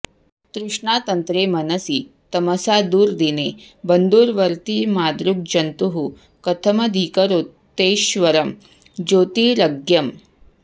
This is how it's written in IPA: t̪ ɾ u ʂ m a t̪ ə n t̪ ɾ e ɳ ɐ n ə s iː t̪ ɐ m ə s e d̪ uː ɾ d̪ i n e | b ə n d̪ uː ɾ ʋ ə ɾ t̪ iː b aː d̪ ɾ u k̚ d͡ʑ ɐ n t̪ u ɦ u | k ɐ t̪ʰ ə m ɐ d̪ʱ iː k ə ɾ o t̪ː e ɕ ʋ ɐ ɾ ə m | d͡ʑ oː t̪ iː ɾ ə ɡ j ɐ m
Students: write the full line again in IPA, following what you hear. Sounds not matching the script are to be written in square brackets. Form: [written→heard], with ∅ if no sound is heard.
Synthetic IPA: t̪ ɾ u ʂ [m→ɳ] a t̪ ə n t̪ ɾ e [ɳ→m] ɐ n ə s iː t̪ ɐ m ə s [e→a] d̪ uː ɾ d̪ i n e | b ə n d̪ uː ɾ ʋ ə ɾ t̪ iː [b→m] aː d̪ ɾ u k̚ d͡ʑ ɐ n t̪ u ɦ u | k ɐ t̪ʰ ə m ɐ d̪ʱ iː k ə ɾ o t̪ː e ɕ ʋ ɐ ɾ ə m | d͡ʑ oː t̪ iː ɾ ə ɡ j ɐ m